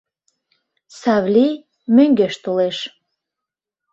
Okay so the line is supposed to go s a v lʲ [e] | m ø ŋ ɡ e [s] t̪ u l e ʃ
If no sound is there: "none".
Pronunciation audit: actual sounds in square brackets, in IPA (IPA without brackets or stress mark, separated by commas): i, ʃ